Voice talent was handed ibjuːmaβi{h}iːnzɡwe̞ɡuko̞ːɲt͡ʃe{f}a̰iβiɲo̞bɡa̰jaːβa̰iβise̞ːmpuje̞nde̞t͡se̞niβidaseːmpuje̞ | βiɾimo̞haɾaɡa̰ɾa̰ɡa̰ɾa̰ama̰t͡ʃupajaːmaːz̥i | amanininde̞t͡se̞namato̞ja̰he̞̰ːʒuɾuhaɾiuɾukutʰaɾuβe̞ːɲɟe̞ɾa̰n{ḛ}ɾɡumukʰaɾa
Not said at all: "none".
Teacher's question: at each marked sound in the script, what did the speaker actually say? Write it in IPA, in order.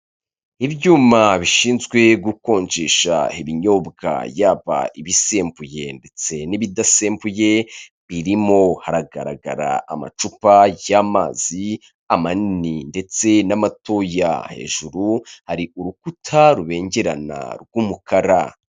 ʃ, ʃ, a̰

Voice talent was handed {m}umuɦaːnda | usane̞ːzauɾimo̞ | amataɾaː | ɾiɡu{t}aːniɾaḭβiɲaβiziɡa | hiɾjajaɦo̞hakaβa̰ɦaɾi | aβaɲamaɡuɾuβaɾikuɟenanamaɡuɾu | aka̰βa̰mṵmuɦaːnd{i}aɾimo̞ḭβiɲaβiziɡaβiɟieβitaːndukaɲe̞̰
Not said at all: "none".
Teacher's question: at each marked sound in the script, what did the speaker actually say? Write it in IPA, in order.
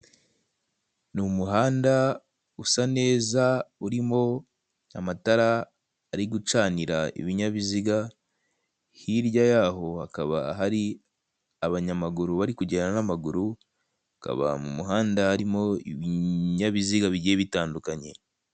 n, t͡ʃ, a

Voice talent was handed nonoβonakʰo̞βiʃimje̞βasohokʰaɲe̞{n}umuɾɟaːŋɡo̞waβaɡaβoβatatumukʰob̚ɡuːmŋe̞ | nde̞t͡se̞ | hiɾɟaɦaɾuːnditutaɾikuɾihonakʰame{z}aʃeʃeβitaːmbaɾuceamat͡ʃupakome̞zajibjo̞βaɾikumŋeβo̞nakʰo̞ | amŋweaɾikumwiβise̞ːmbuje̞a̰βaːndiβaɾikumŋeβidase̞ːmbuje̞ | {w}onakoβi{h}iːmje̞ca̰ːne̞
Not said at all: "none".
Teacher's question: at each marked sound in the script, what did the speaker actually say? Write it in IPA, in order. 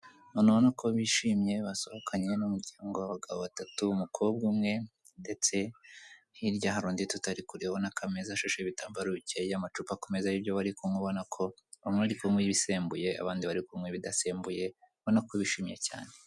n, z, β, ʃ

